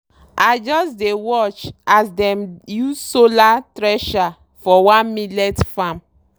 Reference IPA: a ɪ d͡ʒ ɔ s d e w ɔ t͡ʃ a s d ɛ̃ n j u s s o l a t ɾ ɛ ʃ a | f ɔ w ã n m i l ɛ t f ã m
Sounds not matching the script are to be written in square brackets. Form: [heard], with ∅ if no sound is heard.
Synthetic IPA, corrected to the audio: a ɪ d͡ʒ ɔ s d e w ɔ t͡ʃ a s d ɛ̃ [m] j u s s o l a t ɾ ɛ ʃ a | f ɔ w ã n m i l ɛ t f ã m